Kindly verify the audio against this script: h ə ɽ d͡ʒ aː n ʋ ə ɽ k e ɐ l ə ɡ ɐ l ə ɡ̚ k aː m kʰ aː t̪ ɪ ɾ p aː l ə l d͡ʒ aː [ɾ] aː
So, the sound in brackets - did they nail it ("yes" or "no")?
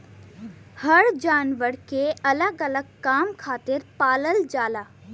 no